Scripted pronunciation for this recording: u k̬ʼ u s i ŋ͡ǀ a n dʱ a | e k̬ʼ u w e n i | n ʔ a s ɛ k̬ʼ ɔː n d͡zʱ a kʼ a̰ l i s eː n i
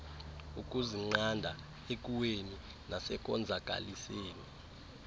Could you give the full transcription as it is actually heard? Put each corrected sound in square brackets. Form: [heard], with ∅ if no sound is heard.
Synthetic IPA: u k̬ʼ u [z] i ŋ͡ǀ a n dʱ a | e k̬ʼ u w e n i | n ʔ a s ɛ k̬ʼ [ɔ] n d͡zʱ a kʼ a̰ l i s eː n i